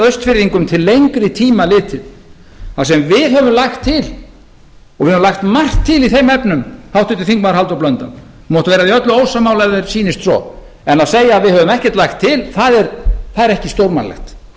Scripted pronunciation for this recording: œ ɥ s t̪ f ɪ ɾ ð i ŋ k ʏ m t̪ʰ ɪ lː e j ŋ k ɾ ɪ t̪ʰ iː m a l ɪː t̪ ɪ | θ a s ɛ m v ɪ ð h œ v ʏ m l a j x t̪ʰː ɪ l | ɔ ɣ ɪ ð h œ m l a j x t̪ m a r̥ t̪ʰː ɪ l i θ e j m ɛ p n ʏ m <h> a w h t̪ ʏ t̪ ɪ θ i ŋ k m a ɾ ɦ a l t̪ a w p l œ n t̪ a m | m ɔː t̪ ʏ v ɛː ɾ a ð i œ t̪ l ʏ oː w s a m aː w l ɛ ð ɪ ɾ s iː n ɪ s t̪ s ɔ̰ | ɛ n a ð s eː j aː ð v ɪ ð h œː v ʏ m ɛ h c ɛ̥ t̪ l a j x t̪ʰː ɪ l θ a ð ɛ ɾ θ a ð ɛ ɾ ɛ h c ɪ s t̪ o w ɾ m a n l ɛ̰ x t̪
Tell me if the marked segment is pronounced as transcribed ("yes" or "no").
yes